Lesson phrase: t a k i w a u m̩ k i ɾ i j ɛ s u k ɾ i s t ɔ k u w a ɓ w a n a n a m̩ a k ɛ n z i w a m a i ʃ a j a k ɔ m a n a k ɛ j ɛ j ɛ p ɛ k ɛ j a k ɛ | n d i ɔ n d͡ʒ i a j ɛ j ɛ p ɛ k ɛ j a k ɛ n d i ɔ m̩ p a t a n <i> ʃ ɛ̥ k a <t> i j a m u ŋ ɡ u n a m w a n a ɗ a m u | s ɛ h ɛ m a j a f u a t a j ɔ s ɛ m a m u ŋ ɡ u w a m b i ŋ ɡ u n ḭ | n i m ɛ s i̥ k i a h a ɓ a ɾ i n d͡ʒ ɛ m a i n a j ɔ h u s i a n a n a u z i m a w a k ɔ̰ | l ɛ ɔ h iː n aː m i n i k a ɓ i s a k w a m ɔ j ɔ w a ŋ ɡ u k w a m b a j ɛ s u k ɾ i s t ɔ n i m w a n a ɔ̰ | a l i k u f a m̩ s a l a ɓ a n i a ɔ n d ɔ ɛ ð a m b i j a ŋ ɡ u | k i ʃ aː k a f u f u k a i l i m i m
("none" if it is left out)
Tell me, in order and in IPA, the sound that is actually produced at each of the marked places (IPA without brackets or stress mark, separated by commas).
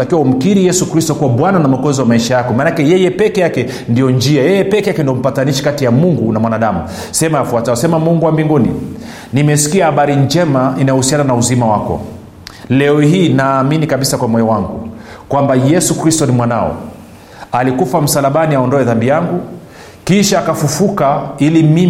i, t